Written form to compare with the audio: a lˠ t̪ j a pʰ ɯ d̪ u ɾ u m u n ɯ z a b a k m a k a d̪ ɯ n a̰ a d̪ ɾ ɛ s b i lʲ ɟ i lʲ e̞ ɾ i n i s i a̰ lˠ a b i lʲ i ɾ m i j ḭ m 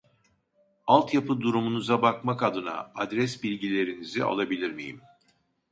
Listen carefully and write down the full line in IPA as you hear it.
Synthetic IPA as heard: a lˠ t̪ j a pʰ ɯ d̪ u ɾ u m u n u z a b a k m a k a d̪ ɯ n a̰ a d̪ ɾ ɛ s b i lʲ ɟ i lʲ e̞ ɾ i n i z i a̰ lˠ a b i lʲ i ɾ m i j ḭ m